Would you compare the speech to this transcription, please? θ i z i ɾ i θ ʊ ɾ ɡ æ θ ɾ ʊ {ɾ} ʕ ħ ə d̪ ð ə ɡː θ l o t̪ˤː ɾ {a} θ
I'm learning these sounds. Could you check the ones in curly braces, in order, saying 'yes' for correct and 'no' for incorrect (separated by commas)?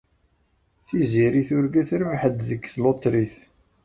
no, no